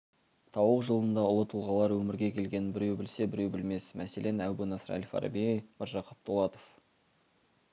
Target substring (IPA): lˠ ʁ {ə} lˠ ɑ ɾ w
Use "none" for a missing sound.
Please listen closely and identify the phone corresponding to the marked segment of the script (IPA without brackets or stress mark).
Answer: ɑ